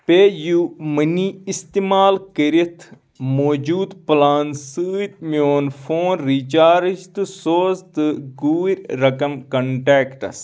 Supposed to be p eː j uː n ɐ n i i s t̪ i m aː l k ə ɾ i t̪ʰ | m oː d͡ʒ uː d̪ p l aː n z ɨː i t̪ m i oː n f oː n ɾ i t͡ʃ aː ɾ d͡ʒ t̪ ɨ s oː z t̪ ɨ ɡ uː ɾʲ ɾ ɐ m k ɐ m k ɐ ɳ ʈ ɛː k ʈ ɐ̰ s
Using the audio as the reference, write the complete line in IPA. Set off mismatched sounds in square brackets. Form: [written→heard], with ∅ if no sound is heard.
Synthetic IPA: p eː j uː [n→m] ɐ n i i s t̪ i m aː l k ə ɾ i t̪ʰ | m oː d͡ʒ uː d̪ p l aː n [z→s] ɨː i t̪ m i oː n f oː n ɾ i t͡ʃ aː ɾ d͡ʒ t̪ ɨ s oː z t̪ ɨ ɡ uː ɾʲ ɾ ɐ [m→∅] k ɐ m k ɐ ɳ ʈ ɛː k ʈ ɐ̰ s